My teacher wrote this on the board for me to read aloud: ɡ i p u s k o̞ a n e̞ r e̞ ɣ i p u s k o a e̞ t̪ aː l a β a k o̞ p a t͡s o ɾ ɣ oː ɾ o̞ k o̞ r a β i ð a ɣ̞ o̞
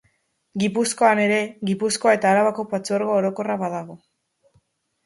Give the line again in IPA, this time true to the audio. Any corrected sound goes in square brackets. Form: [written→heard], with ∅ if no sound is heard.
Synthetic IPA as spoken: ɡ i p u s k o̞ a n e̞ [r→ɾ] e̞ ɣ i p u s k o a e̞ t̪ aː [l→ɾ] a β a k o̞ p a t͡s o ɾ ɣ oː ɾ o̞ k o̞ r a β [i→a] ð a ɣ̞ o̞